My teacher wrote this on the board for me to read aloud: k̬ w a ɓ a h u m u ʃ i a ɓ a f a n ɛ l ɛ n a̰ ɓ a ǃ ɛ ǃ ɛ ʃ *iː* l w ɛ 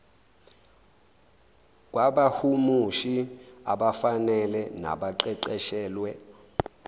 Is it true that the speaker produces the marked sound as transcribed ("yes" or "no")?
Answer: no